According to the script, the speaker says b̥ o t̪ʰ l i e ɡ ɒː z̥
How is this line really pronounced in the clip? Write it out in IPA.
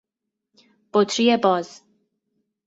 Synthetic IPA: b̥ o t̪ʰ ɾ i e b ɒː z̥